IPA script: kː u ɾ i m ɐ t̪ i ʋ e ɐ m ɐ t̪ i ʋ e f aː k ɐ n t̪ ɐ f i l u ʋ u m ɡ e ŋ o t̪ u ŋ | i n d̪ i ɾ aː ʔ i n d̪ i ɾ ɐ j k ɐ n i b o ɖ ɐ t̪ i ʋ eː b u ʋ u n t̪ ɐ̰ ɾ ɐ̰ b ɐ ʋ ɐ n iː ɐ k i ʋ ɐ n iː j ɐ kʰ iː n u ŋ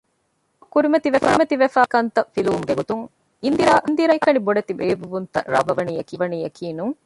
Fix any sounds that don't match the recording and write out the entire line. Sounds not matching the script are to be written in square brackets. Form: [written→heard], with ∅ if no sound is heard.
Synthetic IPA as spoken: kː u ɾ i m ɐ t̪ i ʋ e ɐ m ɐ t̪ i ʋ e f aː k ɐ n t̪ ɐ f i l u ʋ u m ɡ e [ŋ→ɡ] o t̪ u ŋ | i n d̪ i ɾ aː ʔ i n d̪ i ɾ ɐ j k ɐ n i b o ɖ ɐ t̪ i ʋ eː b u ʋ u n t̪ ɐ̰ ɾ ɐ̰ b ɐ ʋ ɐ n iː ɐ k i ʋ ɐ n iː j ɐ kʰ iː n u ŋ